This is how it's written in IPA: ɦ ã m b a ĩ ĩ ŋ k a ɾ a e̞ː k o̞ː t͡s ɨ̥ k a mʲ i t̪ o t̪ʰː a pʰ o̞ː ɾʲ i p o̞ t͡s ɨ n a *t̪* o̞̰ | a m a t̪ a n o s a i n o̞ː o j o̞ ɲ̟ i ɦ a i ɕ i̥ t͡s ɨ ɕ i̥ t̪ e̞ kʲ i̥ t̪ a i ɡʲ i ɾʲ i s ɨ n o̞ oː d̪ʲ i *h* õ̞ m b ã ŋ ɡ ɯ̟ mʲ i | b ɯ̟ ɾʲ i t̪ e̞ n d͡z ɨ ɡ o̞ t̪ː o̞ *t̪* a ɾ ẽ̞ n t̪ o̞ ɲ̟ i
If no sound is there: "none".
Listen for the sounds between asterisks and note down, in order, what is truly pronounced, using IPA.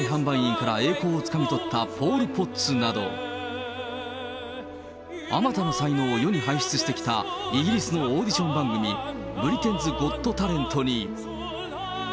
d̪, ɕ, t̪

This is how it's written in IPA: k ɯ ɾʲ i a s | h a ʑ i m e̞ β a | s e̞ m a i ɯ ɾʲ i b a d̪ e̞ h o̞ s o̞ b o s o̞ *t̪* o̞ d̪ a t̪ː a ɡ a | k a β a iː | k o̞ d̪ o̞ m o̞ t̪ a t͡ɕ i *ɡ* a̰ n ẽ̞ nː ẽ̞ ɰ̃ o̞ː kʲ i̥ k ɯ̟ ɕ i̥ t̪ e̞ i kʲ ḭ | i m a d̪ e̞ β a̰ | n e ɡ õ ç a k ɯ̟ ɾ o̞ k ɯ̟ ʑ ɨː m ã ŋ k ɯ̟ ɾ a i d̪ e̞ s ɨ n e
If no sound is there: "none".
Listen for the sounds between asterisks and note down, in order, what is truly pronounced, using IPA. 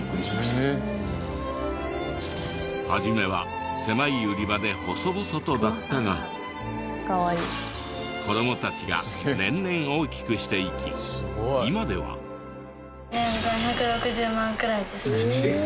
t̪, ɡ

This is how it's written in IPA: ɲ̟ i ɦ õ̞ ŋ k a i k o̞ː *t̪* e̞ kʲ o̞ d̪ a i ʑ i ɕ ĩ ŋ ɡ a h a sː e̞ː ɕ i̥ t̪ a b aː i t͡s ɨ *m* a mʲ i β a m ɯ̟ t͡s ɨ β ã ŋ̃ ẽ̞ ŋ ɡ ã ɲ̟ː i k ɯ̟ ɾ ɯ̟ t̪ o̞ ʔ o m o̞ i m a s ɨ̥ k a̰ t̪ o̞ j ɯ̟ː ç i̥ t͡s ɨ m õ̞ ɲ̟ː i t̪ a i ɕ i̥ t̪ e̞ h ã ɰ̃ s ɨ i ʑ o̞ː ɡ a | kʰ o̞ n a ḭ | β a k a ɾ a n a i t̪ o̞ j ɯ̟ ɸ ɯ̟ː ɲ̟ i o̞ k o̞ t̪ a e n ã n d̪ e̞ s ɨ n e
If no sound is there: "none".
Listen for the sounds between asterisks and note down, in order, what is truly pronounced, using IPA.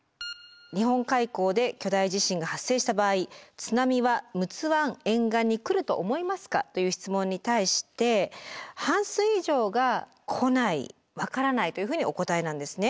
d̪, n

